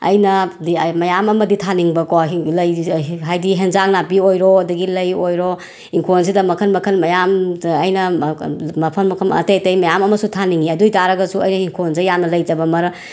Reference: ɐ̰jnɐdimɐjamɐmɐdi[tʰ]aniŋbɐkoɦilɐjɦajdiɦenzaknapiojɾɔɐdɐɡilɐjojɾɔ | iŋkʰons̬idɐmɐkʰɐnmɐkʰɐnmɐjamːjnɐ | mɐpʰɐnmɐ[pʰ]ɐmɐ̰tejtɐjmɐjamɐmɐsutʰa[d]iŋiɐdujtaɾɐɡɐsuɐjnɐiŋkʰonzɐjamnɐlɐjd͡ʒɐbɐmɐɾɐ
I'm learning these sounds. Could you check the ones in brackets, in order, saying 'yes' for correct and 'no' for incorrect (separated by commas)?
yes, no, no